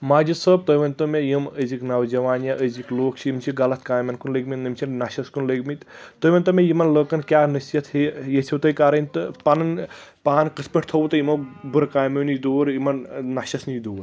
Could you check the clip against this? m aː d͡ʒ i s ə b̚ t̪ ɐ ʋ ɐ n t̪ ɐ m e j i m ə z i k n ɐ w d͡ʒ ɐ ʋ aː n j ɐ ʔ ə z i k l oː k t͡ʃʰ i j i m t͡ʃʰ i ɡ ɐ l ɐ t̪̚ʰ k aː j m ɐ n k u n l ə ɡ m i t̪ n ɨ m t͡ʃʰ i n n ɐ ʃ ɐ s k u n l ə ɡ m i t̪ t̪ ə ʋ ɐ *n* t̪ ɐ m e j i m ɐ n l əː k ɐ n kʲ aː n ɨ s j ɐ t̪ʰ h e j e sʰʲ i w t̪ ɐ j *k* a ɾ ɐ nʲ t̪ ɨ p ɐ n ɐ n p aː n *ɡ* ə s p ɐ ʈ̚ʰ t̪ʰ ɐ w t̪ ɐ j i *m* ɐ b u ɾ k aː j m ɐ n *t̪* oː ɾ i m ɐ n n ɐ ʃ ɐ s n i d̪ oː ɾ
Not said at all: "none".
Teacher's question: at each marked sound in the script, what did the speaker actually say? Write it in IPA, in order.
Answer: n, k, k, m, d̪

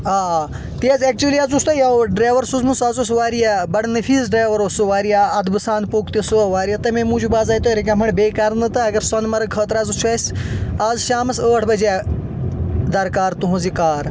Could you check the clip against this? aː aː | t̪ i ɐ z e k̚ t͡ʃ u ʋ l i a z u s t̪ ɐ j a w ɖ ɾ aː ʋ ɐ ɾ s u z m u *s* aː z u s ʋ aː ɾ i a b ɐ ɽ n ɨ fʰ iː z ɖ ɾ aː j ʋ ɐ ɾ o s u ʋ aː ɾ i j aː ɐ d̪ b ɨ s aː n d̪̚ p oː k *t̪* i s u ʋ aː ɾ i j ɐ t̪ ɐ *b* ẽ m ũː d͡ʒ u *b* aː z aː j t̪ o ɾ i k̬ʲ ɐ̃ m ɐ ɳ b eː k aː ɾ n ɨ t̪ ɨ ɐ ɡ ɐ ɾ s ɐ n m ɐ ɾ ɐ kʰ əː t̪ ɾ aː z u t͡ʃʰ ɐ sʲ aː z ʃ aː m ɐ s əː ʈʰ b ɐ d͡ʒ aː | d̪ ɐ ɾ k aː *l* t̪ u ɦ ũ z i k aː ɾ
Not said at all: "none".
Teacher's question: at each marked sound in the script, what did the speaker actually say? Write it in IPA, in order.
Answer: s, t̪, m, b, ɾ

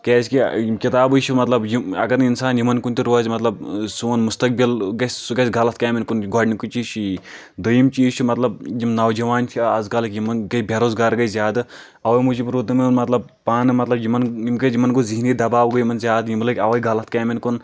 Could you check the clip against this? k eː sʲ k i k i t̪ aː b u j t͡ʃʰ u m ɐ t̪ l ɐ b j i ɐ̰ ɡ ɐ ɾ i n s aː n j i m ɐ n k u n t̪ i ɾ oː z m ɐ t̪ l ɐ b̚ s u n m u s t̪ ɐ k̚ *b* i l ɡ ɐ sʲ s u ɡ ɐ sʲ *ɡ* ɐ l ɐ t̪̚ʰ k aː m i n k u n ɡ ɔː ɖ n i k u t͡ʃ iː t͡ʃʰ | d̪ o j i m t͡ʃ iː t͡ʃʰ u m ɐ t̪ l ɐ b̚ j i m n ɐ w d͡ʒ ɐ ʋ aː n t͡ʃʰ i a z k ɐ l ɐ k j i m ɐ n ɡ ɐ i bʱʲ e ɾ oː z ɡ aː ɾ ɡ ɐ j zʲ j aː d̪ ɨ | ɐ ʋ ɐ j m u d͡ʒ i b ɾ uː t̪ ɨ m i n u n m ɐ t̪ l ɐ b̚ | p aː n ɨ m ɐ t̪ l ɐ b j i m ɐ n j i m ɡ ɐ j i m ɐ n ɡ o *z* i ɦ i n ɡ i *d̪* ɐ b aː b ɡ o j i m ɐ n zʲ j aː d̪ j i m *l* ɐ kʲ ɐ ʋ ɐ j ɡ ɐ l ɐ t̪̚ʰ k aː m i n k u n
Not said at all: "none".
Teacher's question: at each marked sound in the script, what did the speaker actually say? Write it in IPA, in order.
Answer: b, ɡ, z, d̪, l

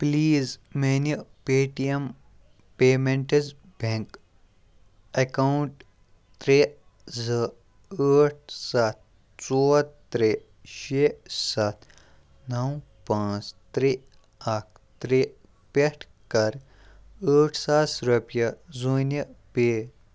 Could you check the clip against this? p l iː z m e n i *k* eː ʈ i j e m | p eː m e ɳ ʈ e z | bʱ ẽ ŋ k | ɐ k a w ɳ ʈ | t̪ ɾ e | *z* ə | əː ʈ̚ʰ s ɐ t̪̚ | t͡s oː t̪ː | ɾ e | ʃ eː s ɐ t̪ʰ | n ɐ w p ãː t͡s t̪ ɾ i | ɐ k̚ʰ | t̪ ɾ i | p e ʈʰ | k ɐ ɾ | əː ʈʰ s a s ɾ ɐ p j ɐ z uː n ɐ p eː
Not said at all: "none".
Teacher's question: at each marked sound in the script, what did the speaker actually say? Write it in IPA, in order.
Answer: p, z

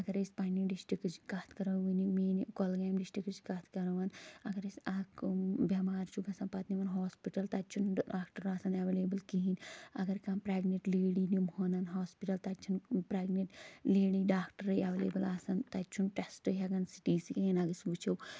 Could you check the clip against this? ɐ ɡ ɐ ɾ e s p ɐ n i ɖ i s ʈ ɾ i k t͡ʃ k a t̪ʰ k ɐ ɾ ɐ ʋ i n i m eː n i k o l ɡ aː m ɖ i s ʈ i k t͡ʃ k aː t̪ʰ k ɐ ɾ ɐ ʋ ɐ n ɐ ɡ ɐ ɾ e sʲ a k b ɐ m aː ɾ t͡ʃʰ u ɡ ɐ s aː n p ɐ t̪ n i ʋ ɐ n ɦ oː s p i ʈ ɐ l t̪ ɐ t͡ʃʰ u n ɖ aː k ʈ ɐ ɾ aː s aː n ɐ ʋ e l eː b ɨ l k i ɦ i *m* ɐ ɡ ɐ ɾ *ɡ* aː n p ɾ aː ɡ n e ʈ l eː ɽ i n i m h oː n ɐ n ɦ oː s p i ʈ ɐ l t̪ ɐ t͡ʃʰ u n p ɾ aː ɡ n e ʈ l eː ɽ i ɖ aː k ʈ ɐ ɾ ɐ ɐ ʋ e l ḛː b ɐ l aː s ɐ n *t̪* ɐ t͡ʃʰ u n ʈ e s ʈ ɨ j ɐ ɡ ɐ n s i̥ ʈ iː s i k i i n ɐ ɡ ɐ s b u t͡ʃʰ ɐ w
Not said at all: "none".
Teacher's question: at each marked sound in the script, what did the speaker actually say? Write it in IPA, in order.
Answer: n, k, t̪

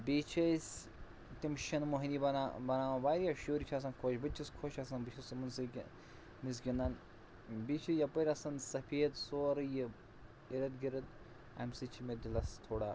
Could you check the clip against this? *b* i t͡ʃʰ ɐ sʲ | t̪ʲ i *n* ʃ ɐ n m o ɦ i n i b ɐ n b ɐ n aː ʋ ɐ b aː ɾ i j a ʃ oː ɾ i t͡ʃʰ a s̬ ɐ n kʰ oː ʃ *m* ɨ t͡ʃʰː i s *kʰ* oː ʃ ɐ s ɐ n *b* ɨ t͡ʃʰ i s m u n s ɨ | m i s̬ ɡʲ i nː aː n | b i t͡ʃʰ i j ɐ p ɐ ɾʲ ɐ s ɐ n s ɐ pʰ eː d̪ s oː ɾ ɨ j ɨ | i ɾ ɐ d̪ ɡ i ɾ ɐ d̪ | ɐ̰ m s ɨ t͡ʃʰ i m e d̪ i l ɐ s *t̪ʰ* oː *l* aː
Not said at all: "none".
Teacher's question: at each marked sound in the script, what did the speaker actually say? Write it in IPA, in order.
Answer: b, m, b, kʰ, b, t̪ʰ, ɽ

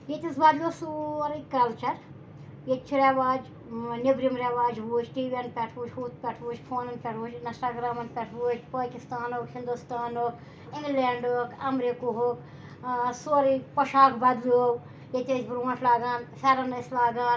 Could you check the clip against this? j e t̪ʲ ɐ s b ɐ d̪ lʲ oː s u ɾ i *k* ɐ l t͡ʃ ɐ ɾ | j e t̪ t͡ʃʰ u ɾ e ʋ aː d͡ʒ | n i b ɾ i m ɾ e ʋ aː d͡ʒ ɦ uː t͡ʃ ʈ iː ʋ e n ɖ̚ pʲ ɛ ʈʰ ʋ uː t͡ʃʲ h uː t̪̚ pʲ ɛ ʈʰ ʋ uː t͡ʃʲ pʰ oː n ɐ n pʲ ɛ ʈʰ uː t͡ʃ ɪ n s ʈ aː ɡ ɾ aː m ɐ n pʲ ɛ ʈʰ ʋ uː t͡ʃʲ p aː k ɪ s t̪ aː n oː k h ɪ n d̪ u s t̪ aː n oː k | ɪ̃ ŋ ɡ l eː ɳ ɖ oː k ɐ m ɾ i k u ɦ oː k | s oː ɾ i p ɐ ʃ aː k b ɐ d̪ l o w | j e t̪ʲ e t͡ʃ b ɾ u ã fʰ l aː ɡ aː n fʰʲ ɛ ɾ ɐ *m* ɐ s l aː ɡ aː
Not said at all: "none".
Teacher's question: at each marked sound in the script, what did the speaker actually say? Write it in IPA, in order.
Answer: k, n

